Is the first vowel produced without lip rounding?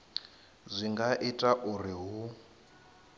yes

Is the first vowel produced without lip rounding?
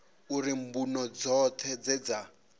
no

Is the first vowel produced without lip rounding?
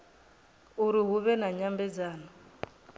no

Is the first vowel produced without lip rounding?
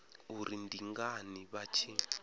no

